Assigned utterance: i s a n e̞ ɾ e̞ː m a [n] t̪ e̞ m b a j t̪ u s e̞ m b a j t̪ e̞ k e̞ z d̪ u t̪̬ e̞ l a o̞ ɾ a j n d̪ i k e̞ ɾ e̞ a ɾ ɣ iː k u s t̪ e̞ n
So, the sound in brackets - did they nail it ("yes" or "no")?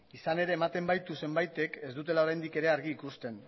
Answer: no